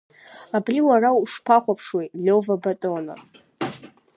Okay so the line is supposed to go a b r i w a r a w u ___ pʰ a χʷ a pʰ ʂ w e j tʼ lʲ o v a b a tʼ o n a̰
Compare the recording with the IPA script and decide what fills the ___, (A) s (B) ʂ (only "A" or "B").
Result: B